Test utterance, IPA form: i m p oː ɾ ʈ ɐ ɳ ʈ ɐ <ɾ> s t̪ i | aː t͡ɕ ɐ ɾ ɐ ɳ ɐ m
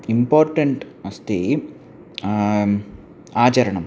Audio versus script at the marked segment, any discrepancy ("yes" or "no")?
yes